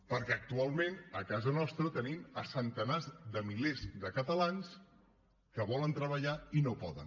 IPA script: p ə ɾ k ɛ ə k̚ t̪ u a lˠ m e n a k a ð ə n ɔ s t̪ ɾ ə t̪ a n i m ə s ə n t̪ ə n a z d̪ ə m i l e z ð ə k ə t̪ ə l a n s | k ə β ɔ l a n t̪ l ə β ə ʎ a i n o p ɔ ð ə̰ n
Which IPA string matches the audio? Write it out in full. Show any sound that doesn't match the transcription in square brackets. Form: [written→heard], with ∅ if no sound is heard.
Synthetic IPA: p ə ɾ k ɛ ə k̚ t̪ u a lˠ m e n [a→ə] k a [ð→z] ə n ɔ s t̪ ɾ ə t̪ [a→ə] n i m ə s ə n t̪ ə n a z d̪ ə m i l e z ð ə k ə t̪ ə l a n s | k ə β ɔ l [a→ə] n t̪ [l→ɾ] ə β ə ʎ a i n o p ɔ ð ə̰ n